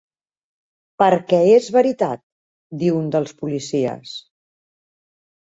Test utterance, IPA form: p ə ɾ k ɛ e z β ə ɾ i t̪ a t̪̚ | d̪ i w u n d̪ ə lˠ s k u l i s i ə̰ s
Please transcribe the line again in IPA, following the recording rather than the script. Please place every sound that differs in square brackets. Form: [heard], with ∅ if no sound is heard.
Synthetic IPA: p ə ɾ k ɛ e z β ə ɾ i t̪ a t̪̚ | d̪ i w u n d̪ ə lˠ s [p] u l i s i ə̰ s